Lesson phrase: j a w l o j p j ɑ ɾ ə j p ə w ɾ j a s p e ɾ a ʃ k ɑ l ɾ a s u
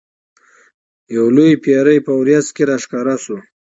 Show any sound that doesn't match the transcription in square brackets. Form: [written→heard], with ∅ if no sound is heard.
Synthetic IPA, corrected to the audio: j a w l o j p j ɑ ɾ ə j p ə w ɾ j a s [p→k] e ɾ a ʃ k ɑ [l→∅] ɾ a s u